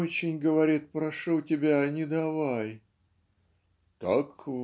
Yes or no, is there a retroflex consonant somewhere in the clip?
yes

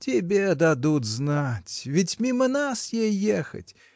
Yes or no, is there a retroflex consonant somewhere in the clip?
no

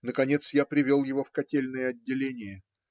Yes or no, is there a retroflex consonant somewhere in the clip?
no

